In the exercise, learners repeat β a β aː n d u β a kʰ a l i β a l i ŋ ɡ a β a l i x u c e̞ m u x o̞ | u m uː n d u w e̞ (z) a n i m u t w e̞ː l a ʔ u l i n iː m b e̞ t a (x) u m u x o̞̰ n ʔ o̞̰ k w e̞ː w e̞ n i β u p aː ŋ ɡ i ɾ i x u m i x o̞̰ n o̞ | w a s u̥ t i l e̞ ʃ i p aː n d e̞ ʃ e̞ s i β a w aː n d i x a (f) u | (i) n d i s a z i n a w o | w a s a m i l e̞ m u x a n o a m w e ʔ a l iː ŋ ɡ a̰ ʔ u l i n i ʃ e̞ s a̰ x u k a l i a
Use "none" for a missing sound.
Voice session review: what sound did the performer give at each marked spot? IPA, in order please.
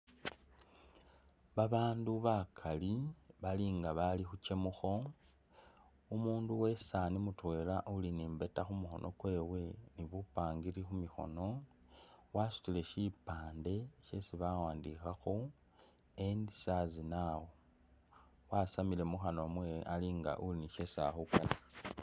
s, x, x, e

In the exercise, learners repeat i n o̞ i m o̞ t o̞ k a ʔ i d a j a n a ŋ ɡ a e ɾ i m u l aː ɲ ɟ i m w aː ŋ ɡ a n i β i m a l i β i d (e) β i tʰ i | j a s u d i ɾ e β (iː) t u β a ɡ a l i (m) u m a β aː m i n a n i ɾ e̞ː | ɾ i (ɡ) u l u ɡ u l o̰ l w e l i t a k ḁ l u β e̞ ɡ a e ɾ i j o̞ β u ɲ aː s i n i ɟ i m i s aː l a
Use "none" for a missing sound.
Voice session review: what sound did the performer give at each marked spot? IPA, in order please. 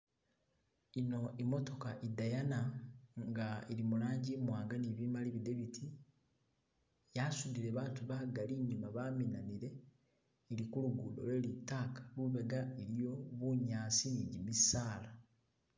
e, aː, ɲ, k

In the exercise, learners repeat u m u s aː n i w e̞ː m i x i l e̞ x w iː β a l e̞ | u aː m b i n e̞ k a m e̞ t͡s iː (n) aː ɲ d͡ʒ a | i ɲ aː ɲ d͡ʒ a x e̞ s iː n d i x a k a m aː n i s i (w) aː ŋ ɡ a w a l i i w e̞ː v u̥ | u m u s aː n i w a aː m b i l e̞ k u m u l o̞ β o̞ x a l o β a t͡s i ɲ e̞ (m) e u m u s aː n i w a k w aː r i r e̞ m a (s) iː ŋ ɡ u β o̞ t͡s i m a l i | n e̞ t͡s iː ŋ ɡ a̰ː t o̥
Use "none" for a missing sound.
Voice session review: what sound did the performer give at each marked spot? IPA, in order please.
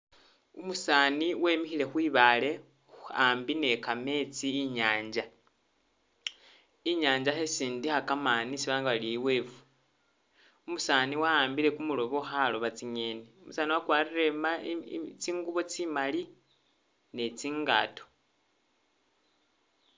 ɲ, β, n, t͡s

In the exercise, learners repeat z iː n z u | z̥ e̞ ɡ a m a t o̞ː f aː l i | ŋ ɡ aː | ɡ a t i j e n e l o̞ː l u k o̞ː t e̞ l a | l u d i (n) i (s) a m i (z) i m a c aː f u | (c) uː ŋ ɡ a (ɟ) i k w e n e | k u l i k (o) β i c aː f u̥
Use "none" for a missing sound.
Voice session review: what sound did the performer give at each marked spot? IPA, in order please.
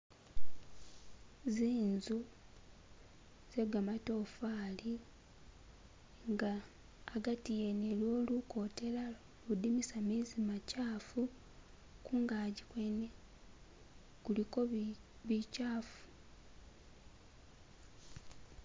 m, s, z, k, ɟ, o

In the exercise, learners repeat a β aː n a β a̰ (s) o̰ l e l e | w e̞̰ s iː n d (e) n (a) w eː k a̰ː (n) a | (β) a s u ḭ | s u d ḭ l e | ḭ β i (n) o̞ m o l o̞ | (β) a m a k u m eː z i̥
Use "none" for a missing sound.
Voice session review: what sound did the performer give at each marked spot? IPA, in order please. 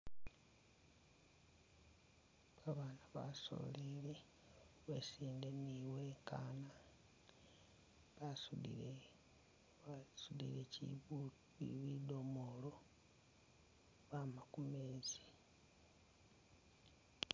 s, e, i, n, β, d, β

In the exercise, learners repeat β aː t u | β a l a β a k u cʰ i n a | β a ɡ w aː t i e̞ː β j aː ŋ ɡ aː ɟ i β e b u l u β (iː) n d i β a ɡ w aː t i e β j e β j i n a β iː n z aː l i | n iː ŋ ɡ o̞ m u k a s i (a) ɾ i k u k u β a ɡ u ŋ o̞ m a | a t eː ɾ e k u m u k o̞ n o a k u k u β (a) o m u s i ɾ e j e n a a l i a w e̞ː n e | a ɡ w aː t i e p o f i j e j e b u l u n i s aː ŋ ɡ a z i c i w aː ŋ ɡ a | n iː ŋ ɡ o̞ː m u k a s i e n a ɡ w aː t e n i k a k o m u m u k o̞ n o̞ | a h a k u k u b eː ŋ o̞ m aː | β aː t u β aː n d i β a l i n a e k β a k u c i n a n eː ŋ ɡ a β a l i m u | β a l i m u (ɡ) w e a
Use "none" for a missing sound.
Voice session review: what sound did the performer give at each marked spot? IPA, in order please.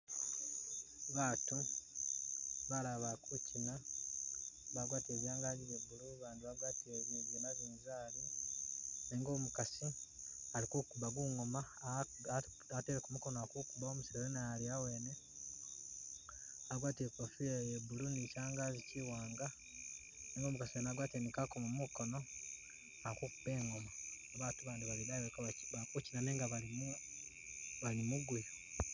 aː, a, a, ɡ

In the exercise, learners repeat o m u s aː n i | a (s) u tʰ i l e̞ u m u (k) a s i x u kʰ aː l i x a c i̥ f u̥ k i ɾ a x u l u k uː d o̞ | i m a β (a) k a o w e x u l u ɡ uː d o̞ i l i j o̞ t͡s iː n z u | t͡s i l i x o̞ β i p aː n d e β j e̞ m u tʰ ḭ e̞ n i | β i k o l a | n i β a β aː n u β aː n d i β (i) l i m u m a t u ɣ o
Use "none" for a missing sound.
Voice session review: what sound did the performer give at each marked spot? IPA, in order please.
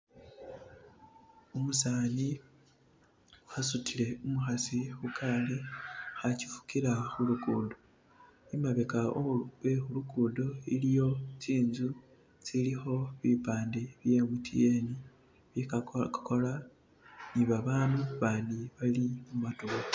s, x, e, a

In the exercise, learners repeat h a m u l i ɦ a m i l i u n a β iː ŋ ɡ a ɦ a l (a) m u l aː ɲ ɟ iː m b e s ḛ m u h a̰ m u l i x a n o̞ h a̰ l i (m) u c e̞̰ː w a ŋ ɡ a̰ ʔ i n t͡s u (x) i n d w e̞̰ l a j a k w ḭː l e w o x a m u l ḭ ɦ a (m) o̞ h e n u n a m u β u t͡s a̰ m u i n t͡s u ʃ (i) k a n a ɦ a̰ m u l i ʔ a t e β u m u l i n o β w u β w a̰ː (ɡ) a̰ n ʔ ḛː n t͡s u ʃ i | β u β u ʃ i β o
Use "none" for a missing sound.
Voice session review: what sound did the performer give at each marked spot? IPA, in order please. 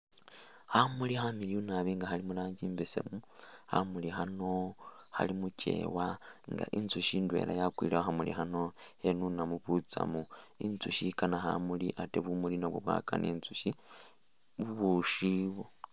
i, m, ʃ, n, i, k

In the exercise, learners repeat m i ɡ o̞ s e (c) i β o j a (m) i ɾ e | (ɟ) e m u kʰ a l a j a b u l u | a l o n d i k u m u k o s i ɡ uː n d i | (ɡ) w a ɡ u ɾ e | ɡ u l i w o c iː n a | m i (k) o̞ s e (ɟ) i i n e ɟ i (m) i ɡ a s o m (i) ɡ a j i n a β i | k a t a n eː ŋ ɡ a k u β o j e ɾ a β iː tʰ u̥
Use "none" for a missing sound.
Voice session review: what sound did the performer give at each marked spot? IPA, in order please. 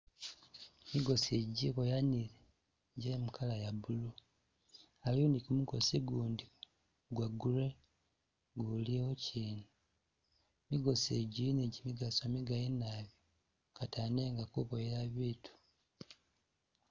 ɟ, n, ɟ, ɡ, ɡ, ɟ, m, i

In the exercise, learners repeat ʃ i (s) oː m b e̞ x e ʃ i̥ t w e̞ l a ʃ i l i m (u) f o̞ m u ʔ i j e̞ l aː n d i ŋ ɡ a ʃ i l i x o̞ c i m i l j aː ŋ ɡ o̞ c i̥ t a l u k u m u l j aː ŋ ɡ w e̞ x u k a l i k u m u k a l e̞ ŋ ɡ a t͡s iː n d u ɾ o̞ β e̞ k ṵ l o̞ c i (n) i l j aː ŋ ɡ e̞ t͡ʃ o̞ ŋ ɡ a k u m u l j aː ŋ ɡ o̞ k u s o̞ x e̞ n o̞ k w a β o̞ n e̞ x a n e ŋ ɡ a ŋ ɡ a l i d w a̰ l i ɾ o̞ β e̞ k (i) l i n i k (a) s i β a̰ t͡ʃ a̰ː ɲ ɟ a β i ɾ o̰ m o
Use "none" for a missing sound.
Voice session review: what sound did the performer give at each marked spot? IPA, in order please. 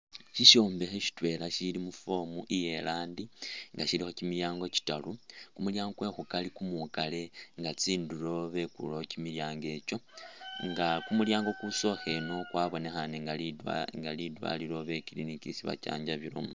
ʃ, u, m, i, i

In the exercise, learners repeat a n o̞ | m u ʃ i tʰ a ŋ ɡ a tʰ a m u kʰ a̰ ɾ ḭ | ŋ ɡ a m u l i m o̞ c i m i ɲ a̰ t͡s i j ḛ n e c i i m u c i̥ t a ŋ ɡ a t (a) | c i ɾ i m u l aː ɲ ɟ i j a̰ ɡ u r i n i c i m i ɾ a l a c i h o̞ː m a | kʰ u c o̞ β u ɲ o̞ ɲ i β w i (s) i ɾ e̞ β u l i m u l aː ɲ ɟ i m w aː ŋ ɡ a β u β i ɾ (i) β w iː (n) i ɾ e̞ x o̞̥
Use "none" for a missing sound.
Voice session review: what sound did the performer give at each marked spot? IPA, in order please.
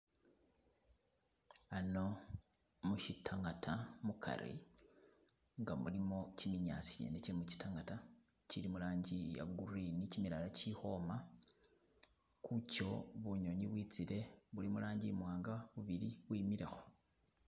a, t͡s, i, m

